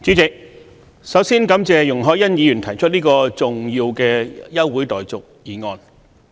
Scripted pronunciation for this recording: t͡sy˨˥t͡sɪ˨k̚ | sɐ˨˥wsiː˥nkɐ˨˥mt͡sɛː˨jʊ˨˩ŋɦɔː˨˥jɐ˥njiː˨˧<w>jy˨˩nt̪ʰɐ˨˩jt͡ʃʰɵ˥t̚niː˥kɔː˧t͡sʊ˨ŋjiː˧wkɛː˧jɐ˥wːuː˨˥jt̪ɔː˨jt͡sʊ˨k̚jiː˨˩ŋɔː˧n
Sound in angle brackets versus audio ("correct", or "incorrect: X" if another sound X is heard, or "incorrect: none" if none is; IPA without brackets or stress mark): incorrect: none